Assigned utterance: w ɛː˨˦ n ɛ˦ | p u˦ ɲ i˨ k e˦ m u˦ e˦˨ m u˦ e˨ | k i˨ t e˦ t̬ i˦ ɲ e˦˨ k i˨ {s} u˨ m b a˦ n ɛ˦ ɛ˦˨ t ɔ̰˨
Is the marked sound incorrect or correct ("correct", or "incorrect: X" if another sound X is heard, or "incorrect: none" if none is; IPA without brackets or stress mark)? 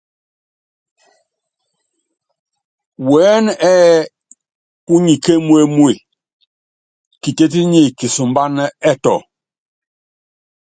correct